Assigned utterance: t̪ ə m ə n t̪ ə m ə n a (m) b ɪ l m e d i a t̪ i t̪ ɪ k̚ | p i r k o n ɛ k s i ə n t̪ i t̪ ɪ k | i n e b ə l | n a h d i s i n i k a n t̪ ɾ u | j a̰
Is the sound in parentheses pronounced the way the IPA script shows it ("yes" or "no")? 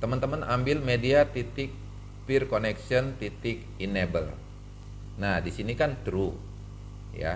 yes